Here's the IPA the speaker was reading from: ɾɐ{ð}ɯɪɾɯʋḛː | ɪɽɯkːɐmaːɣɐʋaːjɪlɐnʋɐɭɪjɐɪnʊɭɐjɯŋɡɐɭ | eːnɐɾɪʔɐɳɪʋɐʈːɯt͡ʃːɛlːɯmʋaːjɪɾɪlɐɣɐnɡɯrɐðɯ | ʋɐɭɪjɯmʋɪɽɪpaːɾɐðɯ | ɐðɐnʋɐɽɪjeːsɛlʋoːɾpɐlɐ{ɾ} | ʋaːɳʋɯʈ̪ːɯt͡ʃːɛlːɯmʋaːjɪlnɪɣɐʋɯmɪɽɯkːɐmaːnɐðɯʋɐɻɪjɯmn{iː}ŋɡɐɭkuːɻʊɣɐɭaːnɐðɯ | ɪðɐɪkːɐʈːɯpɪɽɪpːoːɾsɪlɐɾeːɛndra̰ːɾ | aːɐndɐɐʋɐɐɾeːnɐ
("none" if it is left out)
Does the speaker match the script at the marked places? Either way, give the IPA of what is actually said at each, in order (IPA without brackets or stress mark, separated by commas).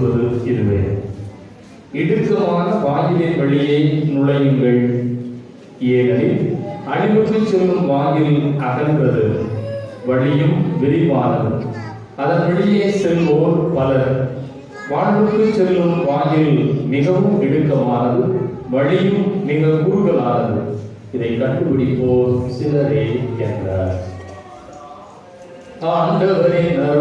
ð, ɾ, iː